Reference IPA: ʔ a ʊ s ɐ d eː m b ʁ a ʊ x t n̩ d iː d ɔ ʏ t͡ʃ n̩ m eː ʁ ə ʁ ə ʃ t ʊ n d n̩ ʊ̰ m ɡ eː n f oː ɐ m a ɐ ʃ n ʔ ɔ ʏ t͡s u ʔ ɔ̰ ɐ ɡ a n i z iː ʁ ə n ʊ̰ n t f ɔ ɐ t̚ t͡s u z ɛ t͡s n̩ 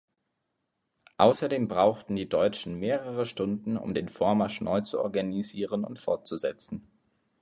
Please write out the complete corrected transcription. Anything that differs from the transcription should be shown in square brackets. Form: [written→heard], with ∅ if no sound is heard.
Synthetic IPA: ʔ a ʊ s ɐ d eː m b ʁ a ʊ x t n̩ d iː d ɔ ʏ t͡ʃ n̩ m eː ʁ ə ʁ ə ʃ t ʊ n d n̩ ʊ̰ m [ɡ→d] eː n f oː ɐ m a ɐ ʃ n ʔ ɔ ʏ t͡s u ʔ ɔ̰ ɐ ɡ a n i z iː ʁ ə n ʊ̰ n t f ɔ ɐ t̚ t͡s u z ɛ t͡s n̩